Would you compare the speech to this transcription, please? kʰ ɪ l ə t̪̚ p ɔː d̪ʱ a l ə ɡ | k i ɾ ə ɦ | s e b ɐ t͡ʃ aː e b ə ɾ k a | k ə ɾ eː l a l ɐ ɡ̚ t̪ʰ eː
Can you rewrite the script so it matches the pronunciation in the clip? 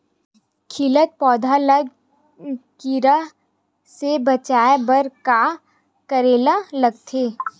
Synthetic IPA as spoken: kʰ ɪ l ə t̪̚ p ɔː d̪ʱ a l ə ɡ | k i ɾ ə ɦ | s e b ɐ t͡ʃ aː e b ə ɾ k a | k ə ɾ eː l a l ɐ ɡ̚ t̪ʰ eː